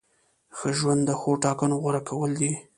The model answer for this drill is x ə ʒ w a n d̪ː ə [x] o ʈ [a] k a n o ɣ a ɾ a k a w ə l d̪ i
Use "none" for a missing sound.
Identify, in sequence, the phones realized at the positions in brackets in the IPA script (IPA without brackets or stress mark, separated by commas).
x, ɑ